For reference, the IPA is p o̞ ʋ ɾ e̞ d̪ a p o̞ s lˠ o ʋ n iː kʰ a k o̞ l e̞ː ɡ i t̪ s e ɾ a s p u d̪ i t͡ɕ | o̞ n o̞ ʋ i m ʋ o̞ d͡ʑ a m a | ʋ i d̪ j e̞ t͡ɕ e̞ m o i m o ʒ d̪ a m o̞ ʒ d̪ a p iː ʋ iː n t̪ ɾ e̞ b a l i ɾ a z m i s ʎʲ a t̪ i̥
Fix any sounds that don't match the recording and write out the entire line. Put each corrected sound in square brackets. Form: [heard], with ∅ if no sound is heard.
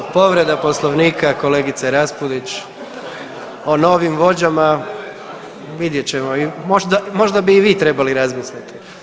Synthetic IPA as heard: p o̞ ʋ ɾ e̞ d̪ a p o̞ s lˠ o ʋ n iː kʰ a k o̞ l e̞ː ɡ i t̪ s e ɾ a s p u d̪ i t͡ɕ | o̞ n o̞ ʋ i m ʋ o̞ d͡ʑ a m a | ʋ i d̪ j e̞ t͡ɕ e̞ m o i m o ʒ d̪ a m o̞ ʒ d̪ a [b] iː ʋ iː [∅] t̪ ɾ e̞ b a l i ɾ a z m i s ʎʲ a t̪ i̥